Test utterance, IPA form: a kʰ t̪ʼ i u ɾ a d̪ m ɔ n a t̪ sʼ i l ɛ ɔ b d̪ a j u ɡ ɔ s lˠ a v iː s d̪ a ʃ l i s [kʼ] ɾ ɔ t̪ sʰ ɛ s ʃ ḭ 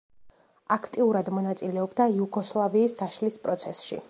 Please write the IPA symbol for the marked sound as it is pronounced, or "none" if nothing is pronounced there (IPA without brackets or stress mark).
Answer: pʼ